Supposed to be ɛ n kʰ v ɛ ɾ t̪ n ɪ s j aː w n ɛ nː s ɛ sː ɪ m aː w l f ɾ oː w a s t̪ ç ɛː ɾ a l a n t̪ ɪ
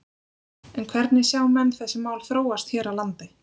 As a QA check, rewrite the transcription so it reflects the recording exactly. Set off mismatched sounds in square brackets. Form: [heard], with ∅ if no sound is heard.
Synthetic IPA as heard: ɛ n kʰ v ɛ ɾ t̪ n ɪ s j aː w [m] ɛ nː [θ] ɛ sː ɪ m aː w l [θ] ɾ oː w a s t̪ ç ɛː ɾ a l a n t̪ ɪ